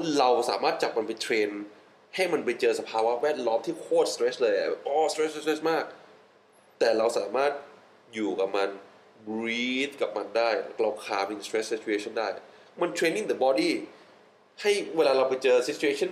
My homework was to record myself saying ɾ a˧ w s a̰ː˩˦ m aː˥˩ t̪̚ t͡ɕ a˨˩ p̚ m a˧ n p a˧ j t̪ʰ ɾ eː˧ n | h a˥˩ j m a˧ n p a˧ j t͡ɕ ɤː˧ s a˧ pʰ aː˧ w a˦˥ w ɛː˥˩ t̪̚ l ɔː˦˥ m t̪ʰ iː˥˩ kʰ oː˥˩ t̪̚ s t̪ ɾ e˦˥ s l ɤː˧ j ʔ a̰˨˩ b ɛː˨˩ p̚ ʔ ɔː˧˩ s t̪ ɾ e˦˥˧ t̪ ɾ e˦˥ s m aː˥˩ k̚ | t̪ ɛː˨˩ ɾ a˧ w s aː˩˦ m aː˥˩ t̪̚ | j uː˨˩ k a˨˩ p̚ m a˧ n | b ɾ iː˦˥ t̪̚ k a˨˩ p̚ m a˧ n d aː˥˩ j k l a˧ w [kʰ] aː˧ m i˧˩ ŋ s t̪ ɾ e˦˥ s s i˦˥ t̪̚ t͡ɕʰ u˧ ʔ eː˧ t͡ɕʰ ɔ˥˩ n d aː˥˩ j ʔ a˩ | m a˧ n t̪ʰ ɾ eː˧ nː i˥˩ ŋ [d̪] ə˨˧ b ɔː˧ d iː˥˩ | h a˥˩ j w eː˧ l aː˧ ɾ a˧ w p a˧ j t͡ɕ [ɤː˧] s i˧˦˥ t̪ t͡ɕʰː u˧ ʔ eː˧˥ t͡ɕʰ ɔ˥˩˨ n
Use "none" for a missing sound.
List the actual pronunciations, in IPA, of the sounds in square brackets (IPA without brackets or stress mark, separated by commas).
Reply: kʰ, d̪, ɤː˧